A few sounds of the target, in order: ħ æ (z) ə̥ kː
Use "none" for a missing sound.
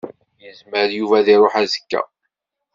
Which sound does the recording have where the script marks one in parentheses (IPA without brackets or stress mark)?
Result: z